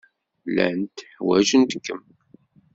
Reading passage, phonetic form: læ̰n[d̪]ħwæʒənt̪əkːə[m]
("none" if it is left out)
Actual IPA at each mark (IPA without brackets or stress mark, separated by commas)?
t̪, m